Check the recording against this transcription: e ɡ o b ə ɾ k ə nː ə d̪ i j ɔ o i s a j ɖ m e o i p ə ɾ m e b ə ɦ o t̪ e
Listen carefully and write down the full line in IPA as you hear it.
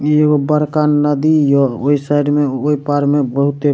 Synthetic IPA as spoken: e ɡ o b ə ɾ k a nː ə d̪ i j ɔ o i s a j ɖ m e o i p a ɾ m e b ə ɦ u t̪ e